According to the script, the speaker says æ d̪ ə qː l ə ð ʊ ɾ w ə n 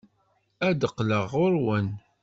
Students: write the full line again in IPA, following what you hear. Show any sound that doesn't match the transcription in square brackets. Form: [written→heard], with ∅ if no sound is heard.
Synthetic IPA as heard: æ d̪ ə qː l ə [ð→ʁ] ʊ ɾ w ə n